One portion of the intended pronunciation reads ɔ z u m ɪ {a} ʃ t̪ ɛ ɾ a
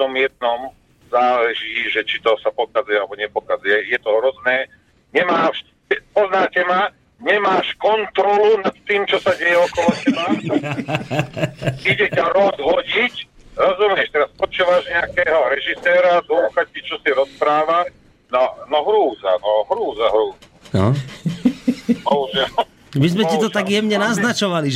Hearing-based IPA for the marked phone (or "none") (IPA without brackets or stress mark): ɛ